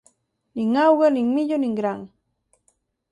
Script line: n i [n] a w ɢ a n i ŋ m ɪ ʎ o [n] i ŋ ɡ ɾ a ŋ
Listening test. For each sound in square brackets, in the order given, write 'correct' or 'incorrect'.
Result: incorrect, correct

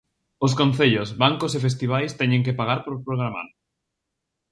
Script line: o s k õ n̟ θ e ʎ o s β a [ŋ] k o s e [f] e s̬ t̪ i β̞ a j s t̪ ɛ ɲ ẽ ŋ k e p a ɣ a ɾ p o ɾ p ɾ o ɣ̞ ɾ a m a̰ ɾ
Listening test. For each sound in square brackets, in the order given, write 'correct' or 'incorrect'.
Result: correct, correct

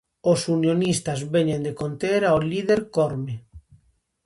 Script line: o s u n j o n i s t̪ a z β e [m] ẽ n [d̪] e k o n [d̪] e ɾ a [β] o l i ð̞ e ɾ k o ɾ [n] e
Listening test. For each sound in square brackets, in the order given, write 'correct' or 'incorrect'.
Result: incorrect, correct, incorrect, incorrect, incorrect

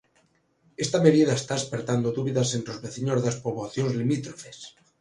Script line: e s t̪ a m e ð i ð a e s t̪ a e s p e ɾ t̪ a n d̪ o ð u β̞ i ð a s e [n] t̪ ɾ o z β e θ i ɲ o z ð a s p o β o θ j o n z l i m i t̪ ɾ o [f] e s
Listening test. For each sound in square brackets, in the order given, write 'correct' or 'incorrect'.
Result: correct, correct

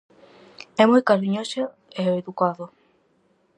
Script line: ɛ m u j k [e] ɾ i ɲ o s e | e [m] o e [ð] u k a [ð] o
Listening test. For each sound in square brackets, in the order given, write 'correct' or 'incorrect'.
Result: incorrect, incorrect, correct, correct

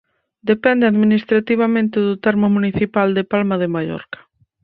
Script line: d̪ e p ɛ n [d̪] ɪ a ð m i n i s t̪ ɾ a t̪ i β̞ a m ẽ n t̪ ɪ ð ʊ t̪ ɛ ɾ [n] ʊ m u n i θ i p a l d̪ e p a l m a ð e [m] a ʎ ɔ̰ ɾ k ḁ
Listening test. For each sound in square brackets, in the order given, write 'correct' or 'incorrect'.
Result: correct, incorrect, correct

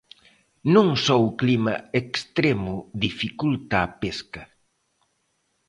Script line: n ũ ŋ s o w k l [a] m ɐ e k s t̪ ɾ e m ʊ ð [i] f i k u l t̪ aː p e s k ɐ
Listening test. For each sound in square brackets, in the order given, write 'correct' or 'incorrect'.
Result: incorrect, correct

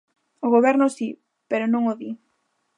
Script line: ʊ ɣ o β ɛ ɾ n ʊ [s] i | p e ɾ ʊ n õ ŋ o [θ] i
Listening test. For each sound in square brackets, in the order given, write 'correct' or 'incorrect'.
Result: correct, incorrect

